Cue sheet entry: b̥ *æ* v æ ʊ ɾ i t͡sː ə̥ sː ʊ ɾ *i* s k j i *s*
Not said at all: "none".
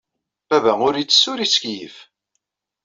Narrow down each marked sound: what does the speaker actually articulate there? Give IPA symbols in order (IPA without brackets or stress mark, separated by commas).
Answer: æ, i, f